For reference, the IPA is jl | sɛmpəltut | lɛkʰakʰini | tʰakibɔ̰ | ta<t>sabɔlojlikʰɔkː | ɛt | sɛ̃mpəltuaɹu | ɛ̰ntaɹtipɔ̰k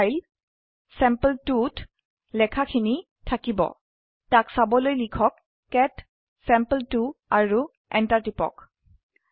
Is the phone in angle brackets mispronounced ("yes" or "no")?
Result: yes